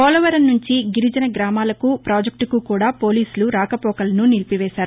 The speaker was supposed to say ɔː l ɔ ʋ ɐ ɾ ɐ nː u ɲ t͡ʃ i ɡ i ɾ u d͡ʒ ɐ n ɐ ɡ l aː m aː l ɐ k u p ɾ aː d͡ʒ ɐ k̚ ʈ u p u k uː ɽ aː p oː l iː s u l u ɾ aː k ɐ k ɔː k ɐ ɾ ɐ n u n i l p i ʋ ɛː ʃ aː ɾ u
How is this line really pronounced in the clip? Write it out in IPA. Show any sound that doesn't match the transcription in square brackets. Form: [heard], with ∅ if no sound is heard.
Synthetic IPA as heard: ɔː l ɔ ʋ ɐ ɾ ɐ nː u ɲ t͡ʃ i ɡ i ɾ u d͡ʒ ɐ n ɐ ɡ [ɾ] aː m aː l ɐ k u p ɾ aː d͡ʒ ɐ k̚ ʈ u [k] u k uː ɽ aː p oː l iː s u l u ɾ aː k ɐ [p] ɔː k ɐ [l] ɐ n u n i l p i ʋ ɛː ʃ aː ɾ u